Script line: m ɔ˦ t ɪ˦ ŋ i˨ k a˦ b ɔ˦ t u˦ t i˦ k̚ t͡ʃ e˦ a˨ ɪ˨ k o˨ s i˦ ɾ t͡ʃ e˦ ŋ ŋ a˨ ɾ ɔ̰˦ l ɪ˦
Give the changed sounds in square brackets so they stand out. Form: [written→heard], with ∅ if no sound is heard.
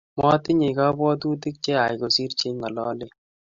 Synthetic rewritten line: m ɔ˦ t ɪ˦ [ŋ→ɲ] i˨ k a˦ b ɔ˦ t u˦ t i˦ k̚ t͡ʃ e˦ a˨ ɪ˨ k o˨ s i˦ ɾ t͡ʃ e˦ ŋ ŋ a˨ [ɾ→l] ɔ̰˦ l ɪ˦